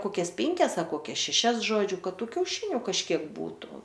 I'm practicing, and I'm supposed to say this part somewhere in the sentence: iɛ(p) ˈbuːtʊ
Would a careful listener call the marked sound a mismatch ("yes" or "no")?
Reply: yes